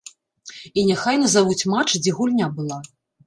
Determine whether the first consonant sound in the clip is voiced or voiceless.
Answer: voiced